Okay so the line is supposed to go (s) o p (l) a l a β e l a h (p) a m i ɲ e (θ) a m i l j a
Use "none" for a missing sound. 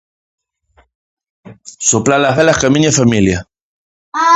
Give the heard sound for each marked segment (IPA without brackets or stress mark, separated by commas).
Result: s, l, k, f